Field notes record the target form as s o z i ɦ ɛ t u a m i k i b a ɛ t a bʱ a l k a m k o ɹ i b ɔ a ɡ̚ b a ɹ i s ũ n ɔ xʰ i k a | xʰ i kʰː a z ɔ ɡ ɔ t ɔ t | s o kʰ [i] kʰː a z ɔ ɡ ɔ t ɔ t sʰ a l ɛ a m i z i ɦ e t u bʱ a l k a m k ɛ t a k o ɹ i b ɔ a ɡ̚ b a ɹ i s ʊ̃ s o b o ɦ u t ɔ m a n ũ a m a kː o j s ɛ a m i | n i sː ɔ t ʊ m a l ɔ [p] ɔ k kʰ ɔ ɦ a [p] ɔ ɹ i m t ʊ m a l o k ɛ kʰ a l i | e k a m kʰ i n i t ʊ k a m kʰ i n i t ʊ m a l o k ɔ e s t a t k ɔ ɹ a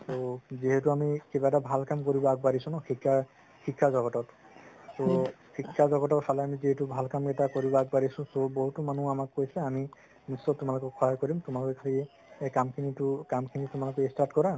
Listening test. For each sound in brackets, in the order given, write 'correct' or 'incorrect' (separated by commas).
correct, incorrect, incorrect